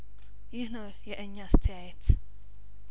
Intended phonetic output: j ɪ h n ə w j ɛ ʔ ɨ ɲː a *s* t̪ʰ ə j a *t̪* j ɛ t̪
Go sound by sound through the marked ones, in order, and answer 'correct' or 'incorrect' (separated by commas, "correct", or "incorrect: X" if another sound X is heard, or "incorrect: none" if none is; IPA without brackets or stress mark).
correct, incorrect: none